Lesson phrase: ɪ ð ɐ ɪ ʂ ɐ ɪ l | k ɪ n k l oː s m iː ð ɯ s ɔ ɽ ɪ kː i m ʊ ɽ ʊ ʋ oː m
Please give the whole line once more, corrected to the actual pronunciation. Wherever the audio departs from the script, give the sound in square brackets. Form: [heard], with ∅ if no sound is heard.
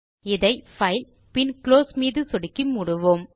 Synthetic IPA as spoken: ɪ ð ɐ ɪ [f] ɐ ɪ l | [p] ɪ n k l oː s m iː ð ɯ s ɔ ɽ ɪ kː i m ʊ ɽ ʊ ʋ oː m